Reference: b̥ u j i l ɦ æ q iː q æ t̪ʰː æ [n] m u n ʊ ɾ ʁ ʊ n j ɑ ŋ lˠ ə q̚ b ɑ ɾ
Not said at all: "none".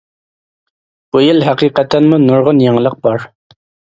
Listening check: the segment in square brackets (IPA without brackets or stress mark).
n